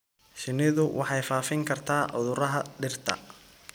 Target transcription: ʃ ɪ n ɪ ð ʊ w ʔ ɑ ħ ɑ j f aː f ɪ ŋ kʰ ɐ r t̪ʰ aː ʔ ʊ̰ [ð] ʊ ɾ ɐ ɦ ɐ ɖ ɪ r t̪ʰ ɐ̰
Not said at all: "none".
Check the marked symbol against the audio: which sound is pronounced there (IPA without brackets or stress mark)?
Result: ð